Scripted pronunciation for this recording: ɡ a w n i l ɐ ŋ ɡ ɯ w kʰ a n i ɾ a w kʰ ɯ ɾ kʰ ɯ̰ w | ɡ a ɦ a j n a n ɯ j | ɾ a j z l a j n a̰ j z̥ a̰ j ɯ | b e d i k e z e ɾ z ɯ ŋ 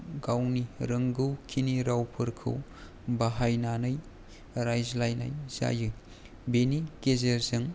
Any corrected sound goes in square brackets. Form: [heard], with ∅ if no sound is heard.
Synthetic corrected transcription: ɡ a w n i [ɾ] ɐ ŋ ɡ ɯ w kʰ [i] n i ɾ a w [pʰ] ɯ ɾ kʰ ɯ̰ w | [b] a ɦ a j n a n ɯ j | ɾ a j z l a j n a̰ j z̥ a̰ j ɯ | b e [n] i k e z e ɾ z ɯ ŋ